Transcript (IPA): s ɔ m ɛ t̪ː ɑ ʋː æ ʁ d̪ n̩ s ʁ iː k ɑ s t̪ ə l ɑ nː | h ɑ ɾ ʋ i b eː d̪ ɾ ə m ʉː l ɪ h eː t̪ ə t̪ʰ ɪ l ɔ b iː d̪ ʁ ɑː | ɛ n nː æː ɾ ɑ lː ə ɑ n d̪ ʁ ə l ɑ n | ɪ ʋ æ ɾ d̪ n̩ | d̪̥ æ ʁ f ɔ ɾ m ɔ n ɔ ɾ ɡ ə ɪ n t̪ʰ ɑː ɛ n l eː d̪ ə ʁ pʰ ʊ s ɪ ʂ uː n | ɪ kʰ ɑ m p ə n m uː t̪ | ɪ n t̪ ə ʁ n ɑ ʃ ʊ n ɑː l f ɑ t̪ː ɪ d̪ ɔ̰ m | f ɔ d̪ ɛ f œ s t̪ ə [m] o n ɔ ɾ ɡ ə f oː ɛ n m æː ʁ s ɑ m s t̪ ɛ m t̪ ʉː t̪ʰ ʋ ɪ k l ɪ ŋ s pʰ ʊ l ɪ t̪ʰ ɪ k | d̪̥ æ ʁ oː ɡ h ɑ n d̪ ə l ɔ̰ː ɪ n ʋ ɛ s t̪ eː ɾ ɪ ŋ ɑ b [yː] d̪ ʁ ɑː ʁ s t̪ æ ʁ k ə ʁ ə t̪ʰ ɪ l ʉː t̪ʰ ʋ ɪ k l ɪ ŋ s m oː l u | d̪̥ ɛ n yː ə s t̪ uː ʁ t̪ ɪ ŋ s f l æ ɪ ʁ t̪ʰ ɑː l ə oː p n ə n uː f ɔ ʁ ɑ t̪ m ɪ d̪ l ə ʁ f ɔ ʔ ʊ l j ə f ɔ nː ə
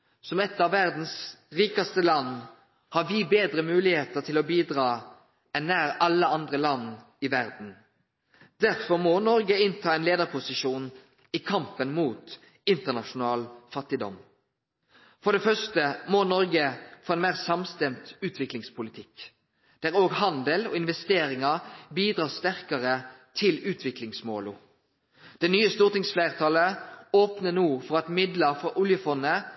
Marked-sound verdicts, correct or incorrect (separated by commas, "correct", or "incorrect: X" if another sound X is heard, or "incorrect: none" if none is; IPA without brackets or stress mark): correct, incorrect: iː